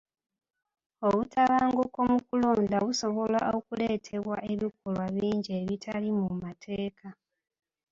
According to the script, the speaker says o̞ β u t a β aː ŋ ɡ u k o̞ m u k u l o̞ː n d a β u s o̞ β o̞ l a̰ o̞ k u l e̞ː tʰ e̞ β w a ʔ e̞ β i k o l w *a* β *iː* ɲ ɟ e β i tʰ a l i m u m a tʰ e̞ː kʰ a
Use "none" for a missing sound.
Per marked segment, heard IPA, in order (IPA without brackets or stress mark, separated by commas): a, iː